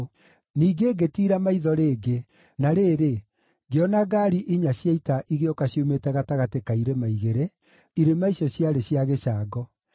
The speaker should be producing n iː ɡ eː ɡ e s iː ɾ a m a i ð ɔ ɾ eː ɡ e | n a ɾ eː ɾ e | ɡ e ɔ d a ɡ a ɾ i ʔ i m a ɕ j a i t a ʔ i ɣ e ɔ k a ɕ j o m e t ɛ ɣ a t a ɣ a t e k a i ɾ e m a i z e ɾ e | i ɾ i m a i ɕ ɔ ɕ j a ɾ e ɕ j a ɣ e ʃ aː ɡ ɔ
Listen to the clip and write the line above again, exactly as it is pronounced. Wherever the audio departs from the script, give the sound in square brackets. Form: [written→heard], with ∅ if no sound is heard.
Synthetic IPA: n iː ɡ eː ɡ e [s→t] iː ɾ a m a i ð ɔ ɾ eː ɡ e | n a ɾ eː ɾ e | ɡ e ɔ [d→n] a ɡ a ɾ i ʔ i [m→ɲ] a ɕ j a i t a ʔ i ɣ e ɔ k a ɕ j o m e t ɛ ɣ a t a ɣ a t e k a i ɾ e m a i [z→ɣ] e ɾ e | i ɾ [i→e] m a i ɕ ɔ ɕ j a ɾ e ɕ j a ɣ e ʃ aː ɡ ɔ